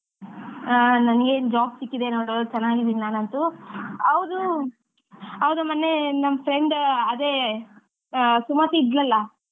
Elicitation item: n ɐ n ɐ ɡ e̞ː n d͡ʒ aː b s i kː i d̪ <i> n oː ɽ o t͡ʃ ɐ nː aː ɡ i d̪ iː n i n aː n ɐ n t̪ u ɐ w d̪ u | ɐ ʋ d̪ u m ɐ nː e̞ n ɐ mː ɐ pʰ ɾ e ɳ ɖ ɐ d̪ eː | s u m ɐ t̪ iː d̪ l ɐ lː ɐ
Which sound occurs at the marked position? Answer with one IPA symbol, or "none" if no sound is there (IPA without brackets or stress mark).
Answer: e